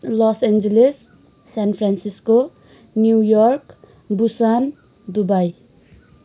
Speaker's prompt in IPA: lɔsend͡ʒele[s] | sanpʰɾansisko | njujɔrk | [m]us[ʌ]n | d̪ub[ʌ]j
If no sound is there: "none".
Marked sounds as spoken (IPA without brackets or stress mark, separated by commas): s, b, a, a